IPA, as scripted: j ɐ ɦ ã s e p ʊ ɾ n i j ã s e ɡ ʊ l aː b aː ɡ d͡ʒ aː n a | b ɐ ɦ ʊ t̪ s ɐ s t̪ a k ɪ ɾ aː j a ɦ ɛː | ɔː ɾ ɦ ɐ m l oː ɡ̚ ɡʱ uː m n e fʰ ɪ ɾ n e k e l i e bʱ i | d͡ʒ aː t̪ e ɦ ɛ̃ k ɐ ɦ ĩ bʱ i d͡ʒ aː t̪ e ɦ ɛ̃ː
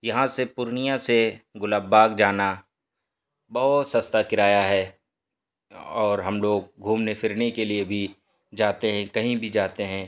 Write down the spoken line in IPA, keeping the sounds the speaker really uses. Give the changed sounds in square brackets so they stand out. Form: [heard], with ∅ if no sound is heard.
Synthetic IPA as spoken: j ɐ ɦ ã s e p ʊ ɾ n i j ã s e ɡ ʊ l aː b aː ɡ d͡ʒ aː n a | b ɐ ɦ ʊ t̪ s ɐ s t̪ a k ɪ ɾ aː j a ɦ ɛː | ɔː ɾ ɦ ɐ m l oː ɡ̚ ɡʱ uː m n e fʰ ɪ ɾ n e k e l i e bʱ i | d͡ʒ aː t̪ e ɦ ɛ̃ k ɐ ɦ ĩ bʱ i d͡ʒ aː t̪ e ɦ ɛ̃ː